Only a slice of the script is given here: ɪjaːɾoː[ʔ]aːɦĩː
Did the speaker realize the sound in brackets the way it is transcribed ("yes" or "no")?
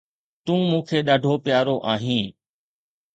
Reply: yes